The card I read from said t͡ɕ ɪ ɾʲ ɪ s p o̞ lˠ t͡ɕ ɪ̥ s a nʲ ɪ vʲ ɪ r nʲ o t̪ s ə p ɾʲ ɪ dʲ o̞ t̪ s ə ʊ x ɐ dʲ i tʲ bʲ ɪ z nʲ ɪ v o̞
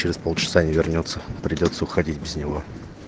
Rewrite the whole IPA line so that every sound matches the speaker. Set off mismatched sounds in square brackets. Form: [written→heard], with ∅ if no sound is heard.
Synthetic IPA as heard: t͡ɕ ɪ ɾʲ ɪ s p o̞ lˠ t͡ɕ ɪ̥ s a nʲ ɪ vʲ ɪ r nʲ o t̪ s ə p ɾʲ ɪ dʲ o̞ t̪ s ə ʊ x ɐ dʲ i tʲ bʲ ɪ z nʲ ɪ v o̞